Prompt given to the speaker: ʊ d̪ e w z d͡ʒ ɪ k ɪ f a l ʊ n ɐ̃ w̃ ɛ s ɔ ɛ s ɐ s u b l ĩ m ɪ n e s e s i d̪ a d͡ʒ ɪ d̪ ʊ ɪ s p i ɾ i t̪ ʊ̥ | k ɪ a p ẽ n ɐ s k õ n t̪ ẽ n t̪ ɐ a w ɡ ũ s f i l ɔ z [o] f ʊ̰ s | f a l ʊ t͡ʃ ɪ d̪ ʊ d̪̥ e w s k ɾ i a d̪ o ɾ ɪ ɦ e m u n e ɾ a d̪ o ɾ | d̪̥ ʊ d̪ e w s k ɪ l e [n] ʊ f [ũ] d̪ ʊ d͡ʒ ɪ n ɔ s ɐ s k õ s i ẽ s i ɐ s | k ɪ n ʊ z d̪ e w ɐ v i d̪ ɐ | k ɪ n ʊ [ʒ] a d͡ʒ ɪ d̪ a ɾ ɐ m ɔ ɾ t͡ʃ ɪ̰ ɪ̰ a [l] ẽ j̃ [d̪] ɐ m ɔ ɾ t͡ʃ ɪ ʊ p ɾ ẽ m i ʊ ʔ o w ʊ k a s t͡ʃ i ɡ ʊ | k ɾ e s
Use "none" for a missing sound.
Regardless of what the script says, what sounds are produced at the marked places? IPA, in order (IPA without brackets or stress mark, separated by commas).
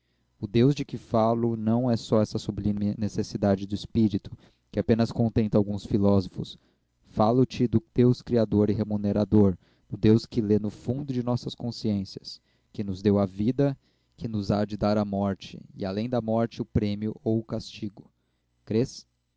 o, n, ũ, z, l, d̪